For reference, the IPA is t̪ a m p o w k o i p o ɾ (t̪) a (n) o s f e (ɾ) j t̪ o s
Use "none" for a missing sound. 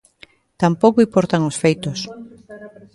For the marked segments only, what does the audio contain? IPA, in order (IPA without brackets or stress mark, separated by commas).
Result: t̪, ŋ, none